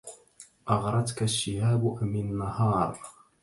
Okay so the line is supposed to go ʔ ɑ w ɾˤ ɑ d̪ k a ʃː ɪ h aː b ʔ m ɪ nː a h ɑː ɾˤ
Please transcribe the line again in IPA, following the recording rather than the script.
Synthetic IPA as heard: ʔ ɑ ɣ ɾˤ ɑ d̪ k a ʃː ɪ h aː b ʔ m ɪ nː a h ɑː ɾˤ